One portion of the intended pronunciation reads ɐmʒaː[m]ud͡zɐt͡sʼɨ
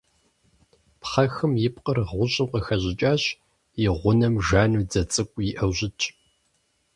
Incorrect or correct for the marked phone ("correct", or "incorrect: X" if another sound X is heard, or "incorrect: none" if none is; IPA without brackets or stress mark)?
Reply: incorrect: n